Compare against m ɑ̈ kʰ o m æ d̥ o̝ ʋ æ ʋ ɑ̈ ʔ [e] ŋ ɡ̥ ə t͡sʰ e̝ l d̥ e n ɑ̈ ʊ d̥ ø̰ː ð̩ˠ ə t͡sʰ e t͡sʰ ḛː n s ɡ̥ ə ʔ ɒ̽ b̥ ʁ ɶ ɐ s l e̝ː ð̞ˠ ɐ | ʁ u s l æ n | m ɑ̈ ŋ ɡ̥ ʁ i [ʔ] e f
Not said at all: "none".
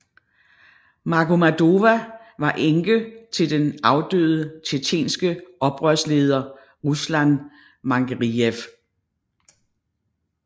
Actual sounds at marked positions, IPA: e, none

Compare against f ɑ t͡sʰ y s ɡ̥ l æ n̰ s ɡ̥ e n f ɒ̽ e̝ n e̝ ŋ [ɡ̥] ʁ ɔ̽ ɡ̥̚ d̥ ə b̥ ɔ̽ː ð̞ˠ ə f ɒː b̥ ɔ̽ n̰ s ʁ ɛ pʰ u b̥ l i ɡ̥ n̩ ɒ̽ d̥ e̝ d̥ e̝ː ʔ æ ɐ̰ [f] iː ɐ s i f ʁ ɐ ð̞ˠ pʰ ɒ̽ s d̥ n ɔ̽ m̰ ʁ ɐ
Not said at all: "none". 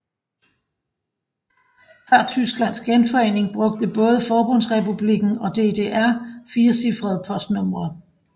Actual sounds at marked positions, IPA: b̥, f

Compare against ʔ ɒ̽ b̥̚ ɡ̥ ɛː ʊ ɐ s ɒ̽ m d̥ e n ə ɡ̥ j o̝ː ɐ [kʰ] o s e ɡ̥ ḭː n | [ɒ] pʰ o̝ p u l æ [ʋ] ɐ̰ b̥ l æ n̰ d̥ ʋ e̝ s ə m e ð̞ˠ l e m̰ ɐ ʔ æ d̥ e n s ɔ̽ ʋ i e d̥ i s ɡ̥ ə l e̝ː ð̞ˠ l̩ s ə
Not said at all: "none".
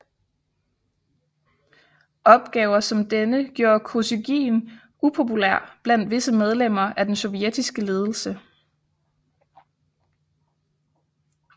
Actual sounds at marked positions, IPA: kʰ, u, none

